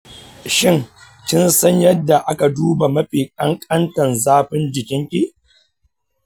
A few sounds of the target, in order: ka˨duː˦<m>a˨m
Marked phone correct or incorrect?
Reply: incorrect